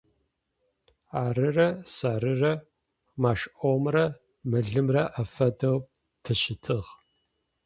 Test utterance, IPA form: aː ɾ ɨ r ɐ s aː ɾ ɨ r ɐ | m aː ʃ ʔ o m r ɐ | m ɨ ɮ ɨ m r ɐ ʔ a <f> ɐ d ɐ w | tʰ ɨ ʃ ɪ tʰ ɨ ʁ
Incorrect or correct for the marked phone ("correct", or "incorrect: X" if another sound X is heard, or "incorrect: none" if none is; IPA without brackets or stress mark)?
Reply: correct